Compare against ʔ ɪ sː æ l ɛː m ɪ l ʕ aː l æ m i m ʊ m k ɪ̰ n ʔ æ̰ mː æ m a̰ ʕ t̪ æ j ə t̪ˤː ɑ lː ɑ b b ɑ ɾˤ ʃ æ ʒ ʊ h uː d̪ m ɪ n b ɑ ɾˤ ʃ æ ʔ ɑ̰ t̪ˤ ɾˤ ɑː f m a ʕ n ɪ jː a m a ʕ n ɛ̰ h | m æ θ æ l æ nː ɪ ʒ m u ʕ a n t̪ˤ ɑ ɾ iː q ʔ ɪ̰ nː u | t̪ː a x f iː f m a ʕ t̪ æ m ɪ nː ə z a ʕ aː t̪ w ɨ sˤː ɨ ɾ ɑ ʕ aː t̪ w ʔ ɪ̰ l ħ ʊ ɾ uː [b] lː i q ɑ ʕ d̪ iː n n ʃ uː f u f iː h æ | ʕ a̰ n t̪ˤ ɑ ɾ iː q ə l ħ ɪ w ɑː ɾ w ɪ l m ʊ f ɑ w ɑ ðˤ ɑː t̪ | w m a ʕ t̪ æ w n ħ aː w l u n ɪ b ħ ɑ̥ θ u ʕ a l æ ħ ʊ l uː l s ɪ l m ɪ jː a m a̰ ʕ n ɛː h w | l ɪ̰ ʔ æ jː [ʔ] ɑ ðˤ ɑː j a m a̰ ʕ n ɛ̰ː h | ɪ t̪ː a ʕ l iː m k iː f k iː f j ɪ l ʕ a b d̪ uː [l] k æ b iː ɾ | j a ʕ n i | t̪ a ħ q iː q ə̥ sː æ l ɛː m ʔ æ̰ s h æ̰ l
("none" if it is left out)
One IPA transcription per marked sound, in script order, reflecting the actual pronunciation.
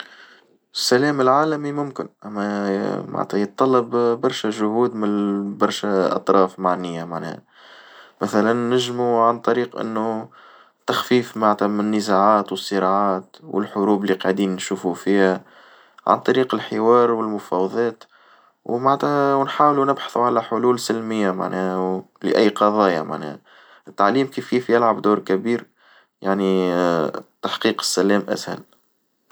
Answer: b, q, ɾ

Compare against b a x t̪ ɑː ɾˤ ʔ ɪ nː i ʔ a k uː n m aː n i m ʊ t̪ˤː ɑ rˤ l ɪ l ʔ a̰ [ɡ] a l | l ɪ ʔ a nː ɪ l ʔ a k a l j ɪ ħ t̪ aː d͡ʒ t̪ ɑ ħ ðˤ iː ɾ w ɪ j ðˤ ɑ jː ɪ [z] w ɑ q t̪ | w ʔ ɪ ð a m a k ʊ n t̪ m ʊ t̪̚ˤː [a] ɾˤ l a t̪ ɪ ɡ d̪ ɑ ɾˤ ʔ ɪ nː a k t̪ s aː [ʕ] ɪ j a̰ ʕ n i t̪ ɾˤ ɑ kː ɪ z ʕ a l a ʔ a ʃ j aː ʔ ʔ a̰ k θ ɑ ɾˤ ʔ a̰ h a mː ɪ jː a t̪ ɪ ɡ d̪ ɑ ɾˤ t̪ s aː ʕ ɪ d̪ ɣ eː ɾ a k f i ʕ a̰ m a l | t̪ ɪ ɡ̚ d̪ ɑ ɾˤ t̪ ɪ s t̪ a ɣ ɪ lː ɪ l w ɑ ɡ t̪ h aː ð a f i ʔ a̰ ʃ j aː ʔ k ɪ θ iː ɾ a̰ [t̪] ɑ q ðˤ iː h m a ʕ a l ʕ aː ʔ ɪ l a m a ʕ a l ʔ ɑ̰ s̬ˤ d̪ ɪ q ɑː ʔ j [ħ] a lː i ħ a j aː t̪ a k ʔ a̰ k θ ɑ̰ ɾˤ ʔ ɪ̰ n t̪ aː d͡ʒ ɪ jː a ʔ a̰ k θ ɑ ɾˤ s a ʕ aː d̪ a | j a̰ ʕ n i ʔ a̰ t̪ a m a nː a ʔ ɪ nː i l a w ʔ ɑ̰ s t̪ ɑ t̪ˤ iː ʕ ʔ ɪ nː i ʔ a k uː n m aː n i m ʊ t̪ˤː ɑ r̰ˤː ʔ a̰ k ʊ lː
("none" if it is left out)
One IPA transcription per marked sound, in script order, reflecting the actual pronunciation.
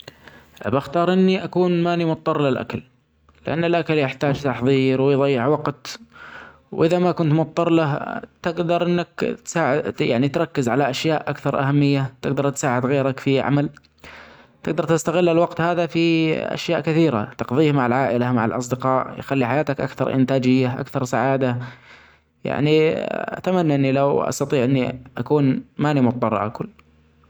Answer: k, ʕ, ɑ, ʕ, t̪, x

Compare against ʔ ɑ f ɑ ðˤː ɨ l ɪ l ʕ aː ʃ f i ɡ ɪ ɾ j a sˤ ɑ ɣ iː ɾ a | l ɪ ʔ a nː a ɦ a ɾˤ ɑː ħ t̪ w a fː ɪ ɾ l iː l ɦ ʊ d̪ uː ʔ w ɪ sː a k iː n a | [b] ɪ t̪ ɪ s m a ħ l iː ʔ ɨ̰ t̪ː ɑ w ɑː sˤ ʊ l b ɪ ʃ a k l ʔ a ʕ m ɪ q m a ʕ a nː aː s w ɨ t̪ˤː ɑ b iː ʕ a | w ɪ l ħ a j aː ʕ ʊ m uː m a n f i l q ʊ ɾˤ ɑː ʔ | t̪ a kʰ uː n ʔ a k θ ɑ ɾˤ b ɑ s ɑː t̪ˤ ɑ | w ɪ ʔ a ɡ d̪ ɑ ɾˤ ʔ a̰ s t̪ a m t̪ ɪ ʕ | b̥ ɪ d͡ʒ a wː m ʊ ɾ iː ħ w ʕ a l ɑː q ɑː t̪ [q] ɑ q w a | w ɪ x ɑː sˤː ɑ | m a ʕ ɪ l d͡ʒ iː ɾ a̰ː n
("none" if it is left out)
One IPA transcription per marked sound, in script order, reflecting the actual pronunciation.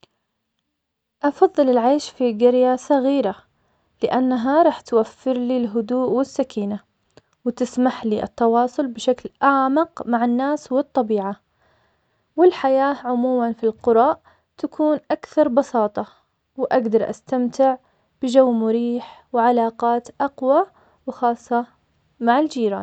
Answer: w, ʔ

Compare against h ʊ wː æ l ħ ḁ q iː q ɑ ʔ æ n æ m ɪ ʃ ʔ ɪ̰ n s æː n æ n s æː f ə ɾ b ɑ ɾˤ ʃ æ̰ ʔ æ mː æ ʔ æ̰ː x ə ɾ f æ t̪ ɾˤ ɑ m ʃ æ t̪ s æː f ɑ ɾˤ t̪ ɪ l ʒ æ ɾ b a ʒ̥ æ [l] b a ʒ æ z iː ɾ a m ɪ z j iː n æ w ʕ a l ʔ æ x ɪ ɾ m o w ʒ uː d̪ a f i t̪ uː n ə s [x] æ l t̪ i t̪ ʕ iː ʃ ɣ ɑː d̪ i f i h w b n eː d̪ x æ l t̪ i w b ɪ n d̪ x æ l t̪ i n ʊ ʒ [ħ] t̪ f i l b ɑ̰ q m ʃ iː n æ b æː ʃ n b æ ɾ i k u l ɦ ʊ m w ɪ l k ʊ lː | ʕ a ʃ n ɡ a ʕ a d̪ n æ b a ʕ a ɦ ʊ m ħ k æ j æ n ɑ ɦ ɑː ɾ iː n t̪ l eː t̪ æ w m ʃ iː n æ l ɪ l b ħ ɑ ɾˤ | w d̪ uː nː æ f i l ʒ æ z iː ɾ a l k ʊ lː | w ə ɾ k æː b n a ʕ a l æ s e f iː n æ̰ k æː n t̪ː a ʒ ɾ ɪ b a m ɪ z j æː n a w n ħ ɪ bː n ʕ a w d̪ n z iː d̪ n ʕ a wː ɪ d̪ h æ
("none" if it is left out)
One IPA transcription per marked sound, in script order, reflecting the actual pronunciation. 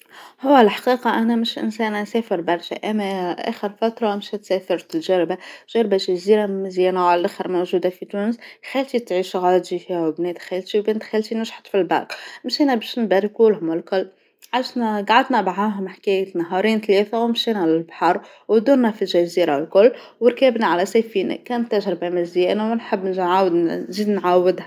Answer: ɾ, x, ħ

